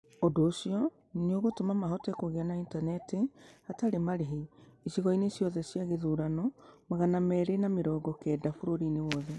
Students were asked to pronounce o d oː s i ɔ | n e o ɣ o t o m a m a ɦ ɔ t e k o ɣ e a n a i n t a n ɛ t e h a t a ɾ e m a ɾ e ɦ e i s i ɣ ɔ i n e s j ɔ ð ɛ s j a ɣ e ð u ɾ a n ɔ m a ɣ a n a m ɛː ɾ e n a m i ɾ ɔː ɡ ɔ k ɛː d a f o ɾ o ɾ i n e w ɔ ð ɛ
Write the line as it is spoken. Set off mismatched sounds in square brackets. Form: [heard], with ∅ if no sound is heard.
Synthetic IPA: o d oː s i ɔ | n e o ɣ o t o m a m a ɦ ɔ t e k o ɣ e a n a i n t a n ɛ t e h a t a ɾ e m a ɾ e ɦ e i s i ɣ ɔ i n e s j ɔ ð ɛ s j a ɣ e ð u ɾ a n ɔ m a ɣ a n a m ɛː ɾ e n a m [e] ɾ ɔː ɡ ɔ k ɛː d a f o ɾ o ɾ i n e w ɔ ð ɛ